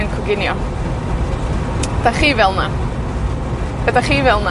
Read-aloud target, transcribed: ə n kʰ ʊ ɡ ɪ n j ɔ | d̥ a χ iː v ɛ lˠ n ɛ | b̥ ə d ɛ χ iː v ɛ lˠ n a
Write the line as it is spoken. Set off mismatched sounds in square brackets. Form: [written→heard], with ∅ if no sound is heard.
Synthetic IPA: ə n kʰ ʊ ɡ ɪ n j ɔ | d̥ a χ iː v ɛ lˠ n [ɛ→a] | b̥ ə d [ɛ→a] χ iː v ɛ lˠ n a